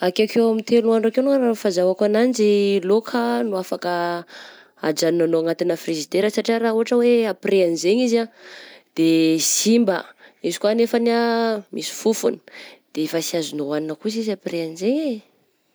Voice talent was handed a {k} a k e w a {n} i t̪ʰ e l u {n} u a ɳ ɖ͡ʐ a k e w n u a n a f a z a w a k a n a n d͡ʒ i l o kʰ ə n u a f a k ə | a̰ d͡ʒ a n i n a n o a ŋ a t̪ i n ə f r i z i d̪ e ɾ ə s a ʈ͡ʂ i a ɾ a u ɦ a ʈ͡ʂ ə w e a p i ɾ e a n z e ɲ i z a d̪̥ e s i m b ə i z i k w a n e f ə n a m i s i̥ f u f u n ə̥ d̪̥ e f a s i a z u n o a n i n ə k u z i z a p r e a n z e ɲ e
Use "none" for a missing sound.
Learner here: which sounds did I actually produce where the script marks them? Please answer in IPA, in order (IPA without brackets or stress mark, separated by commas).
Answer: k, m, n